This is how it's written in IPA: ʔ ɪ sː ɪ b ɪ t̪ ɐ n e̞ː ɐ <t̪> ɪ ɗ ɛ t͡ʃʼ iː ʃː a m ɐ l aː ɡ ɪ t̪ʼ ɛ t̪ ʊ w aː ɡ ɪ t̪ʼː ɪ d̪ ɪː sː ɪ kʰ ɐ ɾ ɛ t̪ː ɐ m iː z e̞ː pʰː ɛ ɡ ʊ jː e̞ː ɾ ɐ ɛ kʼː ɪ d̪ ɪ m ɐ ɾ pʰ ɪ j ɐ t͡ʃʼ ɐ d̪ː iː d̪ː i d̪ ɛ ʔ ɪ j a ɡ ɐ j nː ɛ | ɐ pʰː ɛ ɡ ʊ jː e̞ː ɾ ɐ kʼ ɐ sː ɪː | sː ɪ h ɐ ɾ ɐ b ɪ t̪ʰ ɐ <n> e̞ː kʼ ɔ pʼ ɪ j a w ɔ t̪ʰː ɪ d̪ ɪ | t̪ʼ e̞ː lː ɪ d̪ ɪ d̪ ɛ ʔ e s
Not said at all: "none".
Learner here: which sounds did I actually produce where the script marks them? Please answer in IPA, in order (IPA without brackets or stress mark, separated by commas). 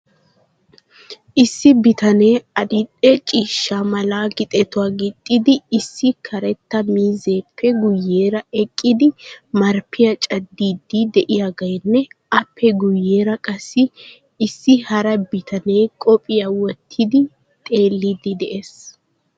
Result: d̪, n